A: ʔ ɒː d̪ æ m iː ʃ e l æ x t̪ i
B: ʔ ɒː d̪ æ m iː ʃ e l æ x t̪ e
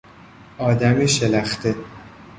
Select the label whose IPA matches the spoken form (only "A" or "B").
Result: B